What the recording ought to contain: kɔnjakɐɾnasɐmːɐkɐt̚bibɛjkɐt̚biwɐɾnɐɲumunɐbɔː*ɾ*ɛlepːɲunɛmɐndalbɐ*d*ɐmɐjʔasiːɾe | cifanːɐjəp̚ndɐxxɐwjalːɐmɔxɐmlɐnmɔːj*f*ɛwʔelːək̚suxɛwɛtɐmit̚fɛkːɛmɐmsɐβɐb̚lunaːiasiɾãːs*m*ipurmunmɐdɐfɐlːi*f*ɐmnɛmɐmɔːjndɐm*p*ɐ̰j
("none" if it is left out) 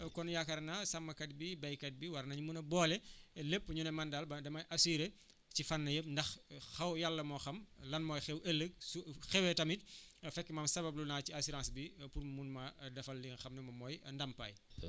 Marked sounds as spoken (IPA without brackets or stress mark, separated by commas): l, d, x, b, x, p